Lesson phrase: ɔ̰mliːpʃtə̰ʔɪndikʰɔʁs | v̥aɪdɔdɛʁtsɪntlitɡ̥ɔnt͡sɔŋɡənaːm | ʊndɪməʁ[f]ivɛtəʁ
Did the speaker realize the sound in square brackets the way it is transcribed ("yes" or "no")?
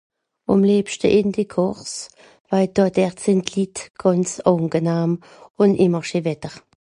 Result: no